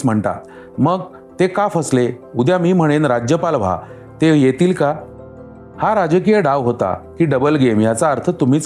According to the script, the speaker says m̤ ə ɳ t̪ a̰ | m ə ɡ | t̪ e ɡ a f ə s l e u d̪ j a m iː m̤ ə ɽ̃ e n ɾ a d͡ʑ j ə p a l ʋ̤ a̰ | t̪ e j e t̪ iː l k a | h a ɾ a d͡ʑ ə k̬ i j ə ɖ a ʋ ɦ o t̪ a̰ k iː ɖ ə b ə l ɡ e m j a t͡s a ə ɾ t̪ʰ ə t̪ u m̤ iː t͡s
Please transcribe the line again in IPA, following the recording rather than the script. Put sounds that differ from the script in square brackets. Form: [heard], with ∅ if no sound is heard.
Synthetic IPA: m̤ ə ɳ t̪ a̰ | m ə ɡ | t̪ e [k] a f ə s l e u d̪ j a m iː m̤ ə ɽ̃ e n ɾ a d͡ʑ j ə p a l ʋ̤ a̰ | t̪ e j e t̪ iː l k a | h a ɾ a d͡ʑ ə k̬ i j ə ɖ a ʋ ɦ o t̪ a̰ k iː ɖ ə b ə l ɡ e m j a t͡s a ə ɾ t̪ʰ ə t̪ u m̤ iː t͡s